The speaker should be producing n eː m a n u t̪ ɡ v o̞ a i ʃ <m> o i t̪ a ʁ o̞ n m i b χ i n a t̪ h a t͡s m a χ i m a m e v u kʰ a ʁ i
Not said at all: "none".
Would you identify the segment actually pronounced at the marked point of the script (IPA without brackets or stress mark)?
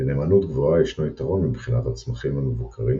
n